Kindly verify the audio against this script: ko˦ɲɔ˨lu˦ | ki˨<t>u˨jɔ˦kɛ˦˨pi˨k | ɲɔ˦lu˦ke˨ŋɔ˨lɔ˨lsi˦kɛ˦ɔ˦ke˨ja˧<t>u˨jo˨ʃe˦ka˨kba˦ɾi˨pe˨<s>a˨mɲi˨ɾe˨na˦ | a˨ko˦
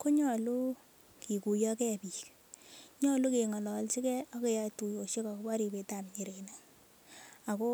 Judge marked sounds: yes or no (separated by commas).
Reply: no, yes, no